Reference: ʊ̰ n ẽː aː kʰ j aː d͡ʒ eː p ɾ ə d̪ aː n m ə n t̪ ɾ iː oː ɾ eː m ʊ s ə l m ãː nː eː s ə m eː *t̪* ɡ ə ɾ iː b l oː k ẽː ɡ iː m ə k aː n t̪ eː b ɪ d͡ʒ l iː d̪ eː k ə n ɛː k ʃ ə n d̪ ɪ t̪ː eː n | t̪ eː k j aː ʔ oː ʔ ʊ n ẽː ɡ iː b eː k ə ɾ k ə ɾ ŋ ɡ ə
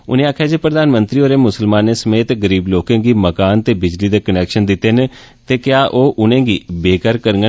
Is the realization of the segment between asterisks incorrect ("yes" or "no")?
no